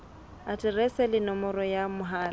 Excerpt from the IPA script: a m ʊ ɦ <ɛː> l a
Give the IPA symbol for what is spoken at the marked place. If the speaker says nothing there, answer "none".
aː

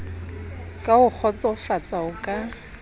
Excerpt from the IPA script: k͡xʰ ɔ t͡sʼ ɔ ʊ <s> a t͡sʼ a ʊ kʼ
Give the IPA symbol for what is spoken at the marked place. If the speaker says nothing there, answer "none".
f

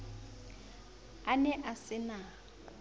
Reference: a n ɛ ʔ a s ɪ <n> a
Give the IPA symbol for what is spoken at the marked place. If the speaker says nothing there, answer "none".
n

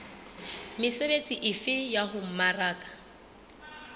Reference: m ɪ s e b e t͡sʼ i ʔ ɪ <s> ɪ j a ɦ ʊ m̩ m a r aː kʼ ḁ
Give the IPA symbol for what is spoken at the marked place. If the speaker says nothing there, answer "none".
f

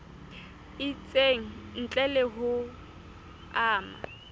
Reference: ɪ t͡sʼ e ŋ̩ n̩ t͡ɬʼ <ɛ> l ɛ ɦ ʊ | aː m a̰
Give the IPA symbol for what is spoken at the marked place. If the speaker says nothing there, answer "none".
ɛ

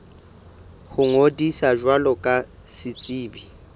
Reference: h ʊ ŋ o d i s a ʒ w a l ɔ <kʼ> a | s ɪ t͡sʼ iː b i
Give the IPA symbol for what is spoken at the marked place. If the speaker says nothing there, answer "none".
kʼ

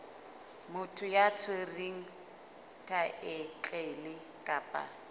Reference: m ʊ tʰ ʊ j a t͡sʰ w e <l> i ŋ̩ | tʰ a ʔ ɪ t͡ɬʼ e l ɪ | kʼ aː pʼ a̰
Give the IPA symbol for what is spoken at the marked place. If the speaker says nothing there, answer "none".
r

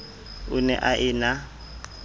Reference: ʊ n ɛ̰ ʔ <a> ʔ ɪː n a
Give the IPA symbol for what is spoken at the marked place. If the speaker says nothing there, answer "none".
a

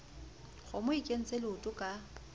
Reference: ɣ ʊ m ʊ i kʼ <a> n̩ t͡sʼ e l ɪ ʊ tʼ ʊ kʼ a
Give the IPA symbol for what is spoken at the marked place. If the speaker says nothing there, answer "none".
e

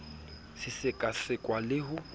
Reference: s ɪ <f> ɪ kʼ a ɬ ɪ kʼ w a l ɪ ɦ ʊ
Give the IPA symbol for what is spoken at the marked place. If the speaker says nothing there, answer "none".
s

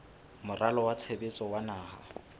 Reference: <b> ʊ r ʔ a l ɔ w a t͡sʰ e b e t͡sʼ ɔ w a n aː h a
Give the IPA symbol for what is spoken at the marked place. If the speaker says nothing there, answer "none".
m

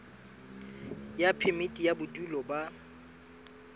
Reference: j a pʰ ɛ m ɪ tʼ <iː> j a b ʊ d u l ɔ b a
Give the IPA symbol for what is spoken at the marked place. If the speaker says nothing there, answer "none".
i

